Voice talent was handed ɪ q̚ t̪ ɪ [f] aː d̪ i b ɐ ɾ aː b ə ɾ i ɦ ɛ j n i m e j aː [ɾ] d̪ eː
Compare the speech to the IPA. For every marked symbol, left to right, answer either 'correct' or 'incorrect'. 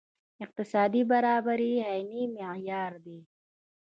incorrect: s, correct

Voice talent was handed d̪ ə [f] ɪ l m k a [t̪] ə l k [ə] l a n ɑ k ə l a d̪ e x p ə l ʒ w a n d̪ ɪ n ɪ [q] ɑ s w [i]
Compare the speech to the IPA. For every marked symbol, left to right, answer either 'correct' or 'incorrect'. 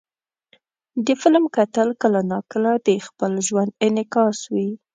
correct, correct, correct, incorrect: k, correct

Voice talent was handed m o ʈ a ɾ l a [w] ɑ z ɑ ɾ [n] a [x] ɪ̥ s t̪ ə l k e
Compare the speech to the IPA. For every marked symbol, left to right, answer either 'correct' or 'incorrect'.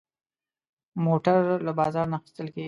incorrect: b, correct, correct

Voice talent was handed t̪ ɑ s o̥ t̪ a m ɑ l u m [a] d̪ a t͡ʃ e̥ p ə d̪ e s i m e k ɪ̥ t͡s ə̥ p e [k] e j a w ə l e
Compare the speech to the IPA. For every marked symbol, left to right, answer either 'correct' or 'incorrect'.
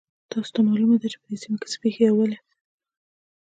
correct, incorrect: x

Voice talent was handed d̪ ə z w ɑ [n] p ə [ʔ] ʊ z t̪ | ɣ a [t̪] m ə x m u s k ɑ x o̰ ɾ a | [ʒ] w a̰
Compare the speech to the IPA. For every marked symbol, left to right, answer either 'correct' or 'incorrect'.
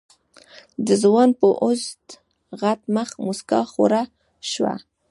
correct, correct, correct, incorrect: ʃ

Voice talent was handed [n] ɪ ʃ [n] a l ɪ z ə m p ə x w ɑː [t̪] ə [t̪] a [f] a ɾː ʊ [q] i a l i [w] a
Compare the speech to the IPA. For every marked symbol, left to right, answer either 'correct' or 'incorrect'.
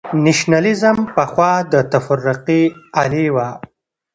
correct, correct, incorrect: d̪, correct, correct, correct, correct

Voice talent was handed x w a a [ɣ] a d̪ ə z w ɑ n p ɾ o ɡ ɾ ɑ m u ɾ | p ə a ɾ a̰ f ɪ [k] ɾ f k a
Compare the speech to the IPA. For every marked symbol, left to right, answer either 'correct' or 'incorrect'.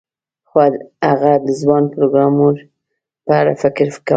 correct, correct

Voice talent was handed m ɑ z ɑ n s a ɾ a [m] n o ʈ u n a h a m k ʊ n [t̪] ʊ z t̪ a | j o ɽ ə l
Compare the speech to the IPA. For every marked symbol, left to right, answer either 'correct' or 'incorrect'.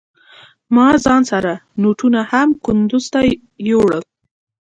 incorrect: none, incorrect: d̪

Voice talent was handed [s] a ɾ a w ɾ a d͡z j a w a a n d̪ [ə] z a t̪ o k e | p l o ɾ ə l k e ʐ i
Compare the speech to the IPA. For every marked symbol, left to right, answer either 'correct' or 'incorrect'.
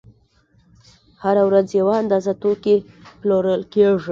incorrect: h, incorrect: ɑ

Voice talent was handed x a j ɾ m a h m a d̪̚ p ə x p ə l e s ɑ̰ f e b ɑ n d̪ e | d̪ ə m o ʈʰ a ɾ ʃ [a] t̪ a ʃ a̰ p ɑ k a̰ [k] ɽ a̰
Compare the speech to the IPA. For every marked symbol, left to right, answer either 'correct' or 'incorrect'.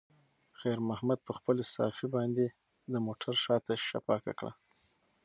incorrect: ɑ, correct

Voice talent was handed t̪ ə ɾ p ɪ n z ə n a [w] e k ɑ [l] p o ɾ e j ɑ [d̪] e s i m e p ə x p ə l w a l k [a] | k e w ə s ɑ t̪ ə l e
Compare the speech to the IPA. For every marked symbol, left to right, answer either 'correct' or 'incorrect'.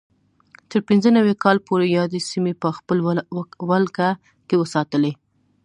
correct, correct, correct, correct

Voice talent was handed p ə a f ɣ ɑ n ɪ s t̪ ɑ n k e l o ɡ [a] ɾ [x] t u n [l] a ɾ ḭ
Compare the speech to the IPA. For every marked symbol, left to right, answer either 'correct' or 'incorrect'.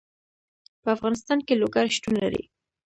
correct, incorrect: ʃ, correct

